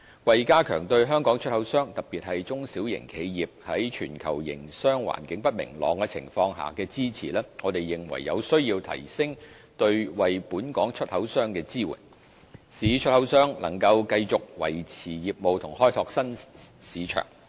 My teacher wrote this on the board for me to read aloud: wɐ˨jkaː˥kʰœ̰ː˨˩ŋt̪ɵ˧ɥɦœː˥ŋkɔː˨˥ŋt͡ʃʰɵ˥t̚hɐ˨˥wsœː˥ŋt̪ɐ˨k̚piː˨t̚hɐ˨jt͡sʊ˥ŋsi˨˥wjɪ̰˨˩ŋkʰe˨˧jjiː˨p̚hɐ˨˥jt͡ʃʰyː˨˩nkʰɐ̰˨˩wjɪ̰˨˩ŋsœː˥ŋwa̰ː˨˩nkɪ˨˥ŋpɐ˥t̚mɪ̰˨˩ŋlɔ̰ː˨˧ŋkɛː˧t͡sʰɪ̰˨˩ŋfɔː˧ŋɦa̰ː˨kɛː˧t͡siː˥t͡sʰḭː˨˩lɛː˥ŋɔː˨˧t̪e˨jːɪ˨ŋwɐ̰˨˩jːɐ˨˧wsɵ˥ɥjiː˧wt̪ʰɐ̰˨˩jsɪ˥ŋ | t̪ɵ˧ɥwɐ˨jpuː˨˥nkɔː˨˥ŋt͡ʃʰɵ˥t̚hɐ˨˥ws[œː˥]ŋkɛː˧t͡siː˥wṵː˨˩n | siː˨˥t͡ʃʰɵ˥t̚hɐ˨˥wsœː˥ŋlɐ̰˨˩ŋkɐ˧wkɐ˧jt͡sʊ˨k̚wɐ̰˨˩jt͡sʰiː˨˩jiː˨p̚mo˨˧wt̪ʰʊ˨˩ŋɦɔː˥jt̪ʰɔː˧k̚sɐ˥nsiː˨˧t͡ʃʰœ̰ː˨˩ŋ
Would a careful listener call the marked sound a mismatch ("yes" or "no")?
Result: no